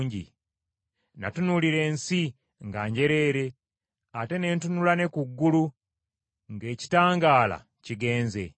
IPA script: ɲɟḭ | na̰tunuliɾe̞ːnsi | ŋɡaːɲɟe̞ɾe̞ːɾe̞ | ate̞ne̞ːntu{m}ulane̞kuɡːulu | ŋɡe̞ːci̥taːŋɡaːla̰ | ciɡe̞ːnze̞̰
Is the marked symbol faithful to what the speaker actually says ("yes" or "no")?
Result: no